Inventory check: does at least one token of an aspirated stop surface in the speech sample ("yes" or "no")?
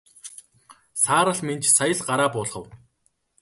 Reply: no